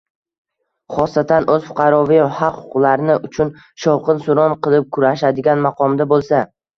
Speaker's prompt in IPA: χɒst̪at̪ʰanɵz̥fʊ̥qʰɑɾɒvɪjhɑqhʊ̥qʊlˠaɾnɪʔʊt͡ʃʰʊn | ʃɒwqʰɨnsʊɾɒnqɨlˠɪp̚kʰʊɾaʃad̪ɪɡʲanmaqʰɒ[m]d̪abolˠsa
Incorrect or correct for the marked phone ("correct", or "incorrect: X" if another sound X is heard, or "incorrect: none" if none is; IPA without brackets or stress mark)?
correct